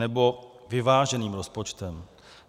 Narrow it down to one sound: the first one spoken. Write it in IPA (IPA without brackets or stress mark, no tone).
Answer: ɛ